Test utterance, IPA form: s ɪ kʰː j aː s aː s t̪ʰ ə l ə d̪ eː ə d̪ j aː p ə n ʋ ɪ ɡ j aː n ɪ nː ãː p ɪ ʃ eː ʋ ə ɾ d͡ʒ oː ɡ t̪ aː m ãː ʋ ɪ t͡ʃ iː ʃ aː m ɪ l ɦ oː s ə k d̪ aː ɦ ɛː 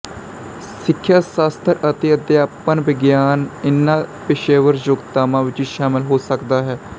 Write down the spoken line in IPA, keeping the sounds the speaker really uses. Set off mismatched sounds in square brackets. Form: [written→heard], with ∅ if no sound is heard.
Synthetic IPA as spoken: s ɪ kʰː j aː s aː s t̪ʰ ə [l→ɾ] ə [d̪→t̪] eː ə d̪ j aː p ə n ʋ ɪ ɡ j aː n ɪ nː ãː p ɪ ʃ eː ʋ ə ɾ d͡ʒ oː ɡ t̪ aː m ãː ʋ ɪ t͡ʃ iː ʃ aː m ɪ l ɦ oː s ə k d̪ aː ɦ ɛː